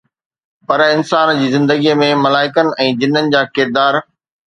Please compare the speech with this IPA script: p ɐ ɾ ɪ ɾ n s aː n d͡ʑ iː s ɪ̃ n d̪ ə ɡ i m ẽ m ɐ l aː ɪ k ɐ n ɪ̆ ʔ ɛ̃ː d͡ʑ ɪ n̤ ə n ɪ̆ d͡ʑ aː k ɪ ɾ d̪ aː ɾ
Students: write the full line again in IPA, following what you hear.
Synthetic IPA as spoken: p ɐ ɾ ɪ n s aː n d͡ʑ iː z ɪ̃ n d̪ ə ɡ i m ẽ m ɐ l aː ɪ k ə n ɪ̆ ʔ ɛ̃ː d͡ʑ ɪ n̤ ə n ɪ̆ d͡ʑ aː k ɪ ɾ d̪ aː ɾ